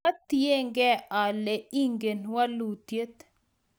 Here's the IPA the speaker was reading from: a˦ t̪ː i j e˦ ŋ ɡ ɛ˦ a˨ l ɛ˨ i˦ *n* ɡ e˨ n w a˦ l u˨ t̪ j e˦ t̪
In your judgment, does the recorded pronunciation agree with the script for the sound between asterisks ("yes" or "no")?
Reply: no